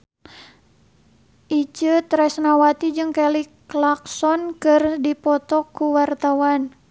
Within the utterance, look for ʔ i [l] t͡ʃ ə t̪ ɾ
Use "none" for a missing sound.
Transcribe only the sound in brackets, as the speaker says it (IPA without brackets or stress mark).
none